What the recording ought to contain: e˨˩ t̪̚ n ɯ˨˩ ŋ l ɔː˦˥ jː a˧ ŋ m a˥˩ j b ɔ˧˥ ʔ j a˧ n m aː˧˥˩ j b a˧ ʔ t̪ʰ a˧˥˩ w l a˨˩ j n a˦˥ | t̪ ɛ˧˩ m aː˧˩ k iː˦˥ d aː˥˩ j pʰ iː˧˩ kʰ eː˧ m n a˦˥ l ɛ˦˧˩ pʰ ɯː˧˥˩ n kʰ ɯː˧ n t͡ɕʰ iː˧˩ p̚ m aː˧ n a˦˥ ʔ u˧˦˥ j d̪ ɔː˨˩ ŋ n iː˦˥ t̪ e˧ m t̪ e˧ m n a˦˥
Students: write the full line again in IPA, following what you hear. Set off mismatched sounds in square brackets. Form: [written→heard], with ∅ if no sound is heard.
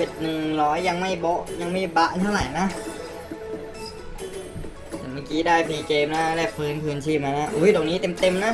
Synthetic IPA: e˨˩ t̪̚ n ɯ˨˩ ŋ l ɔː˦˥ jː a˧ ŋ m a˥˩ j b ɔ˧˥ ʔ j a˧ [n→ŋ] m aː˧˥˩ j b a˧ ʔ t̪ʰ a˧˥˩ w l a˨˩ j n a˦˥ | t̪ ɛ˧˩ m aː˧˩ k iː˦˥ d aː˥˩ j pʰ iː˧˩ [kʰ→k] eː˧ m n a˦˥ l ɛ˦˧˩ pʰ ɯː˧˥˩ n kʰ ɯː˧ n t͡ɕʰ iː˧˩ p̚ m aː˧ n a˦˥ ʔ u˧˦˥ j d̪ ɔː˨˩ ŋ n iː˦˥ t̪ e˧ m t̪ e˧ m n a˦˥

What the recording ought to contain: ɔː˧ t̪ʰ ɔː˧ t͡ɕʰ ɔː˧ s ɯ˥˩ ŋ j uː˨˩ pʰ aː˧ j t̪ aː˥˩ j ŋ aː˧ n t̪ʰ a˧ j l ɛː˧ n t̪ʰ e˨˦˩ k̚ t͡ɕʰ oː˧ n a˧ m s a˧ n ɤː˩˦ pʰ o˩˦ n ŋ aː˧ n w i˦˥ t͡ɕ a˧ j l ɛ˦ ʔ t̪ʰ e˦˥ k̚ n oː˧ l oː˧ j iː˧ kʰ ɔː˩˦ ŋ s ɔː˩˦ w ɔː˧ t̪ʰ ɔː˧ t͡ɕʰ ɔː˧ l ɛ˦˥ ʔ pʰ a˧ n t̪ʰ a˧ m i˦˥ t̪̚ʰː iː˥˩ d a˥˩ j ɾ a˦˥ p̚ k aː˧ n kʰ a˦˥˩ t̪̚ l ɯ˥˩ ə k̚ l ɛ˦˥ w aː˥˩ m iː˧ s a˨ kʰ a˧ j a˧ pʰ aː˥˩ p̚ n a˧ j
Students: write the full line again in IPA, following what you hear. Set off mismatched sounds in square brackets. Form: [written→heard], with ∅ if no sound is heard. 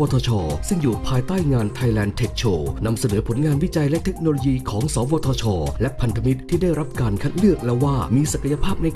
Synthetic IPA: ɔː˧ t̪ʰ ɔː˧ t͡ɕʰ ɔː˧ s ɯ˥˩ ŋ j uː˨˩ pʰ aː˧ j t̪ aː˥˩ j ŋ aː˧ n t̪ʰ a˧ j l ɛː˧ n t̪ʰ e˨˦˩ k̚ t͡ɕʰ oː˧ n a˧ m s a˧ n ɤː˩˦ pʰ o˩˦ n ŋ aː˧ n w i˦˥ t͡ɕ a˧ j l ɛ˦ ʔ t̪ʰ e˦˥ k̚ n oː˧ l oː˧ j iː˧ kʰ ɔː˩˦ ŋ s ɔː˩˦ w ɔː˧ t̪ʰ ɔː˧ t͡ɕʰ ɔː˧ l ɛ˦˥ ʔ pʰ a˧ n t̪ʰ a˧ m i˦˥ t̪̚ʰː iː˥˩ d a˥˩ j ɾ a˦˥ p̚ k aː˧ n kʰ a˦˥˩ t̪̚ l ɯ˥˩ ə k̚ l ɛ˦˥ w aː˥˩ m iː˧ s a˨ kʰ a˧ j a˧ pʰ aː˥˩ p̚ n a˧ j

